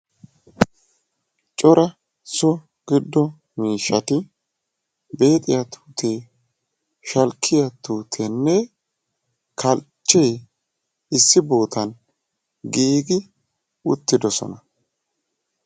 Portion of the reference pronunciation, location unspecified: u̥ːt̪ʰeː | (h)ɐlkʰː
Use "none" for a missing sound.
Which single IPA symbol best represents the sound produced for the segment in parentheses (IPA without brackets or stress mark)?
ʃ